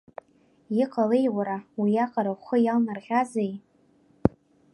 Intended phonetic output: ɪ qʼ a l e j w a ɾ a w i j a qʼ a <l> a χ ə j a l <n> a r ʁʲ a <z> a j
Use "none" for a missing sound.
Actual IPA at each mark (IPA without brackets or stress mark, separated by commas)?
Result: ɾ, n, z